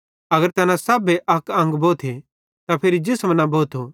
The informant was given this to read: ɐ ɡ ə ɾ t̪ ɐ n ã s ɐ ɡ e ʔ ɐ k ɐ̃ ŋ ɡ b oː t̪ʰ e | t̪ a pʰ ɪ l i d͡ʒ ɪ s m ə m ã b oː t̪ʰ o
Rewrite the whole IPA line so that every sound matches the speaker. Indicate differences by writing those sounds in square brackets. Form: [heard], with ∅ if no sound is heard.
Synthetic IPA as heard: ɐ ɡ ə ɾ t̪ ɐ n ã s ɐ [b] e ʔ ɐ k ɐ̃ ŋ ɡ b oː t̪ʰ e | t̪ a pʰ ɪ [ɾ] i d͡ʒ ɪ s m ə [n] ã b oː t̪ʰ o